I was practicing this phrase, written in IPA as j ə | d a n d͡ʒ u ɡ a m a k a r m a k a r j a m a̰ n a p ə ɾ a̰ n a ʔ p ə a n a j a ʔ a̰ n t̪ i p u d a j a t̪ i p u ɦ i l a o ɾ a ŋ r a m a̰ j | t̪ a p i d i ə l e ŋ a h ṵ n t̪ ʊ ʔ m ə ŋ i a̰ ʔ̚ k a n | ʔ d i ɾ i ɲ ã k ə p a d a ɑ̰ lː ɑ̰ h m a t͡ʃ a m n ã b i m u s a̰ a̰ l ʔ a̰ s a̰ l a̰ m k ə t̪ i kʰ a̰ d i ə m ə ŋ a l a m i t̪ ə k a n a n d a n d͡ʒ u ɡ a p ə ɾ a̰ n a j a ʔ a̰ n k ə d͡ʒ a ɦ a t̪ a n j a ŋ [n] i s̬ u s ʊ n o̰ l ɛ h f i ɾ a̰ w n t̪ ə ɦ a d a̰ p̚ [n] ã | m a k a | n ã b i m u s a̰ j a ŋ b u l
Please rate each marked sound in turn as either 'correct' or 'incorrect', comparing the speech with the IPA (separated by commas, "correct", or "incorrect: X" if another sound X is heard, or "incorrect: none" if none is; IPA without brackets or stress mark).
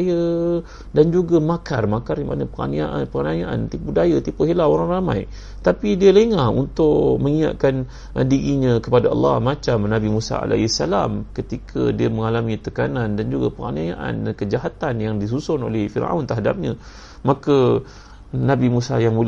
incorrect: d, incorrect: ɲ